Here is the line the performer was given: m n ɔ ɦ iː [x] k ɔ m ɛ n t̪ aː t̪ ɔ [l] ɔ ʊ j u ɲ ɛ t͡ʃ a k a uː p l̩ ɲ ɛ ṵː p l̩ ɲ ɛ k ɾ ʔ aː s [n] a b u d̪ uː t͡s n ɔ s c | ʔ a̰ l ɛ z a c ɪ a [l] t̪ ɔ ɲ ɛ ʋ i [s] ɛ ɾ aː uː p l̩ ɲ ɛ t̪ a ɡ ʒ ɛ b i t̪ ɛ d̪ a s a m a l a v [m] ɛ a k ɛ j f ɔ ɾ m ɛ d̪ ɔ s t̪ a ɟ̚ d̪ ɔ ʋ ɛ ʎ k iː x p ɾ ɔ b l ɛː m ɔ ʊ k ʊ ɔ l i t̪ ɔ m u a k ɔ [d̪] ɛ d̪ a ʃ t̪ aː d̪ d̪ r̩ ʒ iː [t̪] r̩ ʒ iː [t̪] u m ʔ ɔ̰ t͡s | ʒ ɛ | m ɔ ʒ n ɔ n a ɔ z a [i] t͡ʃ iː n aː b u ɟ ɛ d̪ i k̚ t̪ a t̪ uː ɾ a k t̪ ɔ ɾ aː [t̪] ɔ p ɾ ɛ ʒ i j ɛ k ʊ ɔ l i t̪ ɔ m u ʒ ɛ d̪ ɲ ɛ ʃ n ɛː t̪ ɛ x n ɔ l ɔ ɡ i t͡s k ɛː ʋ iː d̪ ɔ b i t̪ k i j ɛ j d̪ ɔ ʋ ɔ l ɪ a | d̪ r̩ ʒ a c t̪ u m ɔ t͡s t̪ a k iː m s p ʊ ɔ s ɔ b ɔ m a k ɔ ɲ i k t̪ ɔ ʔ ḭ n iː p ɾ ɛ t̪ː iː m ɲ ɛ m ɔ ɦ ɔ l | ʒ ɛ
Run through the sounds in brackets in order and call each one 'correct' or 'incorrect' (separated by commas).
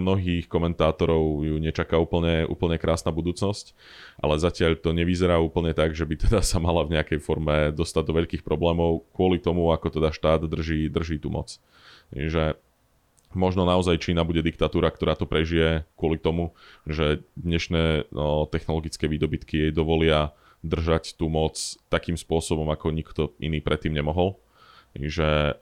correct, incorrect, correct, incorrect, incorrect, incorrect, incorrect, incorrect, correct, incorrect, correct